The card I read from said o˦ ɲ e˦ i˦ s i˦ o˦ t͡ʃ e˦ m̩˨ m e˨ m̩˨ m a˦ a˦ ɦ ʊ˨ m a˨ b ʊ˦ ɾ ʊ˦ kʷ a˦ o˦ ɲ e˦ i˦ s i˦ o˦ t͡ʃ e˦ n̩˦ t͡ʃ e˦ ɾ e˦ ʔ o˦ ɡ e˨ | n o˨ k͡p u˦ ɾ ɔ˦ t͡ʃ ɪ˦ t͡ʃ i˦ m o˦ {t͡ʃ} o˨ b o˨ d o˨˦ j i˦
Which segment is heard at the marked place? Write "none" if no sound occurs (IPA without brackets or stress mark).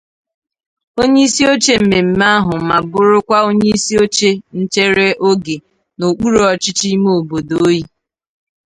none